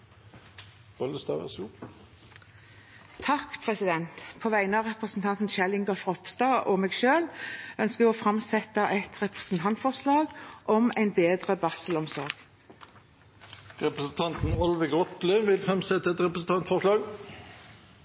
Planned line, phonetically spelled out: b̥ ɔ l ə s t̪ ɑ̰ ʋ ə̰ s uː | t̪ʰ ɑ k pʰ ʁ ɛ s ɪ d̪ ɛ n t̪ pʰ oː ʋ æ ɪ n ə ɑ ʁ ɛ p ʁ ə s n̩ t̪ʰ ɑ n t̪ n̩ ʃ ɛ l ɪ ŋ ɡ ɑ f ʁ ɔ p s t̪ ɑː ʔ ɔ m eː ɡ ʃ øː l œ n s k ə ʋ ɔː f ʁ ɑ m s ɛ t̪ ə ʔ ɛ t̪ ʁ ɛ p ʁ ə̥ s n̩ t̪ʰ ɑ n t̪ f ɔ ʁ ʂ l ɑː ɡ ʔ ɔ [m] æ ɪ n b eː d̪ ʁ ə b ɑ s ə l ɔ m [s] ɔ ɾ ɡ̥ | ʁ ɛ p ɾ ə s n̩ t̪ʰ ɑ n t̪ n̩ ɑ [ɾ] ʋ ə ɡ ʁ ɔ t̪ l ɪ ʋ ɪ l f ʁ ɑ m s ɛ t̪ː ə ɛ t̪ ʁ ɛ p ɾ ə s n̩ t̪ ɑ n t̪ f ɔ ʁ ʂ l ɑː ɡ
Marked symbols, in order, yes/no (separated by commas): yes, yes, no